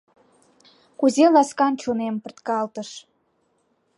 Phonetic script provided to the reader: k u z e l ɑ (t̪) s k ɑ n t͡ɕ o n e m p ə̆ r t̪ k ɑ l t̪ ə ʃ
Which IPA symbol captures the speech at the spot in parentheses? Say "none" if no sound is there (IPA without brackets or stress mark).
none